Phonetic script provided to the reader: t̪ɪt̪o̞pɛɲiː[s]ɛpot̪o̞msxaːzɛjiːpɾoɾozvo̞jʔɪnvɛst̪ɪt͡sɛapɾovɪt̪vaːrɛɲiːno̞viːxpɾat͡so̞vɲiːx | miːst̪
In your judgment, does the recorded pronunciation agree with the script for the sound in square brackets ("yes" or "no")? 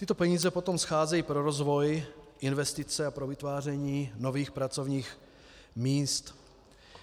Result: no